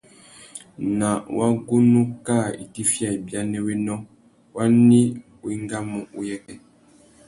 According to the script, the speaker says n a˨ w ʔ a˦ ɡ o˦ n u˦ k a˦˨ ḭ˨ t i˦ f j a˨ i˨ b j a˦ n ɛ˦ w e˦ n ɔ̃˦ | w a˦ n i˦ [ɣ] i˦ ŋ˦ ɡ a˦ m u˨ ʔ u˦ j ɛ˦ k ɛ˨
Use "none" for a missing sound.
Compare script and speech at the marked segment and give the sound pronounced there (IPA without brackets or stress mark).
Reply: w